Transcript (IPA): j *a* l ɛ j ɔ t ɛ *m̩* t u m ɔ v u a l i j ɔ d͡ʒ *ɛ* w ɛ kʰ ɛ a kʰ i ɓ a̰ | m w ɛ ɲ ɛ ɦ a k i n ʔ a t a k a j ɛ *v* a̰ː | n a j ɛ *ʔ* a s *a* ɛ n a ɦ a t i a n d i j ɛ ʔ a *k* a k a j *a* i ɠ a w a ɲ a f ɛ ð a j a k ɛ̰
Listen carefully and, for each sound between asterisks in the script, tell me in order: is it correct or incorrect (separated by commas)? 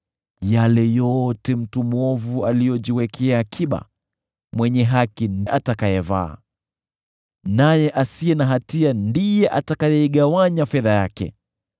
correct, correct, incorrect, correct, correct, incorrect, incorrect, incorrect